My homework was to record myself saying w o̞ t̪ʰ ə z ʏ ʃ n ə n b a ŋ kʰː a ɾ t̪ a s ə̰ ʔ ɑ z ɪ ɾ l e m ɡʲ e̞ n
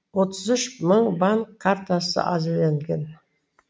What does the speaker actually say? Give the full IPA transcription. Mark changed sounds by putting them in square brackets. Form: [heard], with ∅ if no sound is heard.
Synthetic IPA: w o̞ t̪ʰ ə z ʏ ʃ [m] ə [ɴ] b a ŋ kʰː a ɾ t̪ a s ə̰ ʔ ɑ z ɪ ɾ l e [ŋ] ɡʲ e̞ n